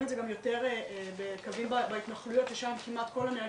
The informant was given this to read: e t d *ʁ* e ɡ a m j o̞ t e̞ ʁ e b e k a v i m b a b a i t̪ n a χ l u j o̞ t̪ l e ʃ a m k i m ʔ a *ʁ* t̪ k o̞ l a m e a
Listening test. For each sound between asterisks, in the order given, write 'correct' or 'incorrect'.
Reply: incorrect: z, incorrect: none

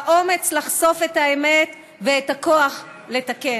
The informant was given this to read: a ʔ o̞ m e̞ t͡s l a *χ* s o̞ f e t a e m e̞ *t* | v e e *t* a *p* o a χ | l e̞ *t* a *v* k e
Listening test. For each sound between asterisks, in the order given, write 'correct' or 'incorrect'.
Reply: correct, correct, correct, incorrect: k, correct, incorrect: none

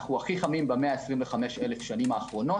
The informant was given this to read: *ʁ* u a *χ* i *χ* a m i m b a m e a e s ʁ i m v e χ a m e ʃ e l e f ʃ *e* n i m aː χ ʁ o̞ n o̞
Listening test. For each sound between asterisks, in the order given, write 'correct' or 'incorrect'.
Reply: incorrect: χ, correct, correct, incorrect: a

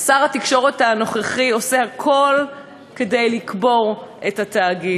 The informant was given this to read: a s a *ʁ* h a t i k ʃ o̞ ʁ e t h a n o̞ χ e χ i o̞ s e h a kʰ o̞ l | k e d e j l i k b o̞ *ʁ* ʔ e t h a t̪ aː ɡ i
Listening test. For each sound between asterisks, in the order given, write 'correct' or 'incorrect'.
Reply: correct, correct

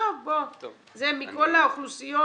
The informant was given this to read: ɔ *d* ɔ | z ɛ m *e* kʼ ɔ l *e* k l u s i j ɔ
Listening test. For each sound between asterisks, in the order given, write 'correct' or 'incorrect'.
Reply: incorrect: b, incorrect: i, incorrect: a

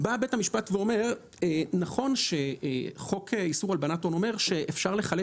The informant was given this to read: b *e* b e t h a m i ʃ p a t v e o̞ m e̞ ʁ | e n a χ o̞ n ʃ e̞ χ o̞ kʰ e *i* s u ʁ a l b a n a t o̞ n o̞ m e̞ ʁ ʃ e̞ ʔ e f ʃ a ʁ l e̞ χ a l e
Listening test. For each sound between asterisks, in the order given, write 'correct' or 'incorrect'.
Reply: incorrect: a, correct

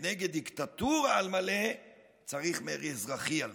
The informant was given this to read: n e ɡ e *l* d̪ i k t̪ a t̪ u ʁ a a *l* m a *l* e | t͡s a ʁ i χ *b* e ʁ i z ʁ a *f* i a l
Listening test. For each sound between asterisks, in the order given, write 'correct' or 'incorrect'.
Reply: incorrect: none, correct, correct, incorrect: m, incorrect: χ

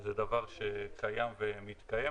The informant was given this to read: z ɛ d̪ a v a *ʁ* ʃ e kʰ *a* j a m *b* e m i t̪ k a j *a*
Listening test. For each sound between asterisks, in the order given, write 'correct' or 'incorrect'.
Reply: correct, correct, incorrect: v, incorrect: e

